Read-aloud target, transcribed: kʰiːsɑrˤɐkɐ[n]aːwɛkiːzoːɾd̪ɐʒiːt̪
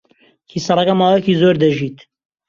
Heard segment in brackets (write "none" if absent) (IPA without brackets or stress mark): m